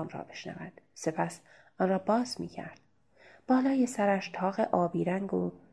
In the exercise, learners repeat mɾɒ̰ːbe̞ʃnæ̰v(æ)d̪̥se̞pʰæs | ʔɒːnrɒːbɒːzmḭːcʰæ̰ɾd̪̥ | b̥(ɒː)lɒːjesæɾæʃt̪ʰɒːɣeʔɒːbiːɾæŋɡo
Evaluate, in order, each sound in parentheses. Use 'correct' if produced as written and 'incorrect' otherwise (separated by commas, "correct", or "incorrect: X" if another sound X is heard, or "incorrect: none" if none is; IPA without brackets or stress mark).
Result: correct, correct